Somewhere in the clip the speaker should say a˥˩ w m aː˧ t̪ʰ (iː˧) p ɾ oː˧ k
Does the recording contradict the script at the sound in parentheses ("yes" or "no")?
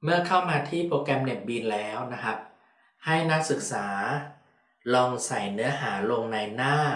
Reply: yes